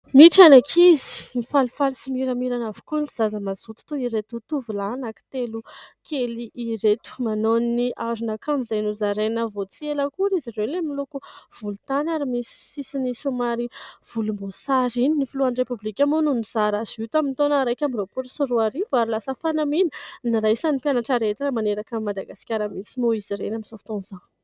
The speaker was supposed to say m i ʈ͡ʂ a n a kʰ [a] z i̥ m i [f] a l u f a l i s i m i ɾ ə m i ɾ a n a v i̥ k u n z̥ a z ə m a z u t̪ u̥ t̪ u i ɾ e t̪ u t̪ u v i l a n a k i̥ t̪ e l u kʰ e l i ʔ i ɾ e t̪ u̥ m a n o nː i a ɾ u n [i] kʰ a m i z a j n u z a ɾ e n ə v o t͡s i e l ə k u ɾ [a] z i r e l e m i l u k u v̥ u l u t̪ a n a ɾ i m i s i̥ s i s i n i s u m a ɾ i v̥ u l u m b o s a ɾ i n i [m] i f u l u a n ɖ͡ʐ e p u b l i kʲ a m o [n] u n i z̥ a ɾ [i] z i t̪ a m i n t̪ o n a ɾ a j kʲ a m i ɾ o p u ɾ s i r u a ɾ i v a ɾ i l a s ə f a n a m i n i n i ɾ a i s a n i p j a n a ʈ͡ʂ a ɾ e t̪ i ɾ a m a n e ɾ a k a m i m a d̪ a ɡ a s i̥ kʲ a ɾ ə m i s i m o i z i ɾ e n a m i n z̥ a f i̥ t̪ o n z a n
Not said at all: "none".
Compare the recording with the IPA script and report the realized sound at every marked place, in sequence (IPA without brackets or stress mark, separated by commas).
i, f, a, i, n, n, a